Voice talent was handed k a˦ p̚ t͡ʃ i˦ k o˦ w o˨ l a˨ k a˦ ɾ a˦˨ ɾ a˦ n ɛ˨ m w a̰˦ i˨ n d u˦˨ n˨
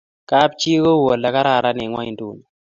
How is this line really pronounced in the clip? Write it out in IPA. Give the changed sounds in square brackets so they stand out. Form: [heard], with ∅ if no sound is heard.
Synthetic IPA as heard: k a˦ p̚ t͡ʃ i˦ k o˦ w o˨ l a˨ k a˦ ɾ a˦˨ ɾ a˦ n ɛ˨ [ŋ] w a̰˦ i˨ n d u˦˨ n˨